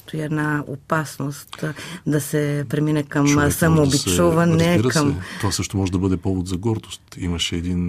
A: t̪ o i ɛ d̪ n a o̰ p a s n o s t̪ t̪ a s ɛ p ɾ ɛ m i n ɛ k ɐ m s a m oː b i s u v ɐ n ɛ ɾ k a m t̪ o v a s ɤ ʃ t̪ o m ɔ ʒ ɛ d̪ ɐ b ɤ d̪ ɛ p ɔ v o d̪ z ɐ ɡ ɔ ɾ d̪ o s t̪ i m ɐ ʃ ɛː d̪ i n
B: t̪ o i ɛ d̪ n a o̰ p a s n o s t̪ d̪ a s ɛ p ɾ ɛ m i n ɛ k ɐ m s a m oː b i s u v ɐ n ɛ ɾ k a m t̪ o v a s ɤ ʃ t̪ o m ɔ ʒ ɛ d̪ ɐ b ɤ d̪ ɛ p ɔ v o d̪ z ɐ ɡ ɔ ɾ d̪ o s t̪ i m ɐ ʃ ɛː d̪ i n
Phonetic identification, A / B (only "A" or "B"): B